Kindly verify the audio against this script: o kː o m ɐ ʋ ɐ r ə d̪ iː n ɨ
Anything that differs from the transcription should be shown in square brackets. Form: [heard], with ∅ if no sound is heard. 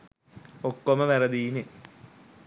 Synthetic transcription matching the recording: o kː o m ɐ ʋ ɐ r [ɐ] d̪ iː n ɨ